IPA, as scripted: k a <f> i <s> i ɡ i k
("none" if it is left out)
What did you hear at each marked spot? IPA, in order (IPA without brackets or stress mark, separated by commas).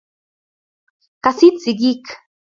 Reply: s, t͡s